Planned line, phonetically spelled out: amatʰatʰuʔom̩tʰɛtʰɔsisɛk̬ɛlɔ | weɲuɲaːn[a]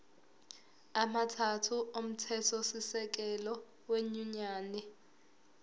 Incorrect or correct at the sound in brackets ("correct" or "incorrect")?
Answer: incorrect